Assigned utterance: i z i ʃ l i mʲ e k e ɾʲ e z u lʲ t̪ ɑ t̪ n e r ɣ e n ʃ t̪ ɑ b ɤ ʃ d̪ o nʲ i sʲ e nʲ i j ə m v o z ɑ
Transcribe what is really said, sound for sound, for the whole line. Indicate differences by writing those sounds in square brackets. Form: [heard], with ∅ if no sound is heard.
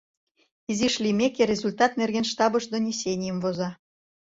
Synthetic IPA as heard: i z i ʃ l i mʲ e k e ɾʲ e z u lʲ t̪ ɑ t̪ n e r ɣ e n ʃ t̪ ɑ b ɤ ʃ d̪ o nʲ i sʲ e nʲ i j ə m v o z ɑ